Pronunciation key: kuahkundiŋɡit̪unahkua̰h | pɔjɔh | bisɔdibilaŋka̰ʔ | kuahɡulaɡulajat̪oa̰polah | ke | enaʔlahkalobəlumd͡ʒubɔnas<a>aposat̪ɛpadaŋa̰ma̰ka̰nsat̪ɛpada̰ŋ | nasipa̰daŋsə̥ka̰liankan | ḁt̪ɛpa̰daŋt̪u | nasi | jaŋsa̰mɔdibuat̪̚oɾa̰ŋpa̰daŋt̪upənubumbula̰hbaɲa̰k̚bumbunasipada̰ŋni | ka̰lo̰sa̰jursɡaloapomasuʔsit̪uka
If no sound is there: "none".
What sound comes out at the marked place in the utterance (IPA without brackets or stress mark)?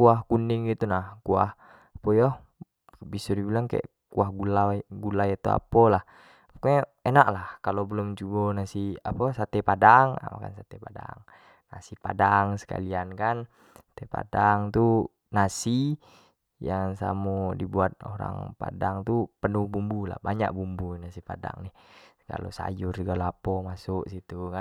i